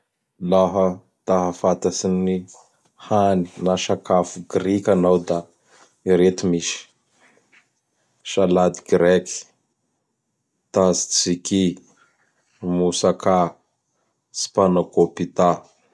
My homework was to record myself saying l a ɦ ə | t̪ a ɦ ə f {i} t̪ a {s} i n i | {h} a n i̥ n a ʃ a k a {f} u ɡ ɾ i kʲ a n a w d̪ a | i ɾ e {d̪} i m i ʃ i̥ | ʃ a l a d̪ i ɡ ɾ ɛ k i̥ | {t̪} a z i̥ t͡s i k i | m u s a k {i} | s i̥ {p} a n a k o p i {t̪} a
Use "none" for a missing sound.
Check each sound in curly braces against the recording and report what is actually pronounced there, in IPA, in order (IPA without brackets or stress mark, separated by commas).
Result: a, s, h, f, t̪, t̪, a, p, t̪